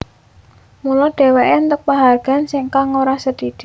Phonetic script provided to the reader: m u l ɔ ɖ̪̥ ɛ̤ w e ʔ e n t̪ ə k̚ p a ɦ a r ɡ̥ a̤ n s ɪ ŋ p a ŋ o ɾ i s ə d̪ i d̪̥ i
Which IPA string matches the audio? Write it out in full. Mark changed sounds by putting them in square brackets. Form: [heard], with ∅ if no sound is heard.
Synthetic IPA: m u l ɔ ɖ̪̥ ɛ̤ w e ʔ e n t̪ ə k̚ p a ɦ a r ɡ̥ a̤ n s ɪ ŋ [k] a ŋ o ɾ [a] s ə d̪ i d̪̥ i